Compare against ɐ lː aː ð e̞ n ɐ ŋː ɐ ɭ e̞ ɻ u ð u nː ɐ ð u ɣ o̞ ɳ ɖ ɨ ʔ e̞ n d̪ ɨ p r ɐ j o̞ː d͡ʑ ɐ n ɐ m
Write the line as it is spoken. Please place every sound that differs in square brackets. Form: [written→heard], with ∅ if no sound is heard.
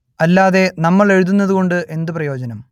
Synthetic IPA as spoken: ɐ lː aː ð e̞ n ɐ [ŋː→mː] ɐ ɭ e̞ ɻ u ð u nː ɐ ð u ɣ o̞ ɳ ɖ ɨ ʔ e̞ n d̪ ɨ p r ɐ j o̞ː d͡ʑ ɐ n ɐ m

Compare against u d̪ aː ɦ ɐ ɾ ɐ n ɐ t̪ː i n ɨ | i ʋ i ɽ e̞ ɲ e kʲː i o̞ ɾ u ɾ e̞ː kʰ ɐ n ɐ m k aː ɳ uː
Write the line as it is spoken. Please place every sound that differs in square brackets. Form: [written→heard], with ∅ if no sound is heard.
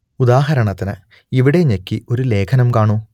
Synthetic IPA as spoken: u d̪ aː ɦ ɐ ɾ ɐ [n→ɳ] ɐ t̪ː i n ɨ | i ʋ i ɽ e̞ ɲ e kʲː i o̞ ɾ u [ɾ→l] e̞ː kʰ ɐ n ɐ m k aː ɳ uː

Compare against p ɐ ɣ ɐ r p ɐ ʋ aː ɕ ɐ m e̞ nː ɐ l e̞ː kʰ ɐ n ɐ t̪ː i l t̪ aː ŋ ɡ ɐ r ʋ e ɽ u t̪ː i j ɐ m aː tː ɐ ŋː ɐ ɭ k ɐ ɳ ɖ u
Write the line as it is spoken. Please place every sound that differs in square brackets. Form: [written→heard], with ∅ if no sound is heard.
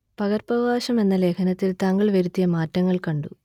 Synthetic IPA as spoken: p ɐ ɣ ɐ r p ɐ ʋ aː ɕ ɐ m e̞ nː ɐ l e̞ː kʰ ɐ n ɐ t̪ː i l t̪ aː ŋ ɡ ɐ [r→ɭ] ʋ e [ɽ→ɾ] u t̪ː i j ɐ m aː tː ɐ ŋː ɐ ɭ k ɐ ɳ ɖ u

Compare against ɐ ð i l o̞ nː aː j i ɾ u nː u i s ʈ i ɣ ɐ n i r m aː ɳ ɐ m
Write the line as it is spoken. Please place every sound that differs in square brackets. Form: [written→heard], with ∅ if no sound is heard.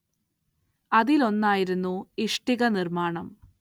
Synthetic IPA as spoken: ɐ ð i l o̞ nː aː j i ɾ u nː u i [s→ʂ] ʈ i ɣ ɐ n i r m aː ɳ ɐ m

